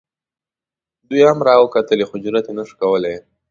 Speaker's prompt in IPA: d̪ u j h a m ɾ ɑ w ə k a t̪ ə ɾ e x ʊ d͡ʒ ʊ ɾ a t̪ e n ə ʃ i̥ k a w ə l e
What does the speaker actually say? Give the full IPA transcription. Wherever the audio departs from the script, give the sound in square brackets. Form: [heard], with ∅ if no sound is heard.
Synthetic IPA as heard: d̪ u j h a m ɾ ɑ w ə k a t̪ ə [l] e x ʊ d͡ʒ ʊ ɾ a t̪ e n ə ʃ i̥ k a w ə l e